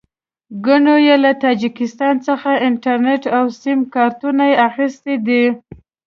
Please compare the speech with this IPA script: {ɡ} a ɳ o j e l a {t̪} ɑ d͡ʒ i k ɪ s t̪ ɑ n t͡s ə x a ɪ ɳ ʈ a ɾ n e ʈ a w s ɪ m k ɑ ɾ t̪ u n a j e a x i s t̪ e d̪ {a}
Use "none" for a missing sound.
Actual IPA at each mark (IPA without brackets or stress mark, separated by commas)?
ɡ, t̪, i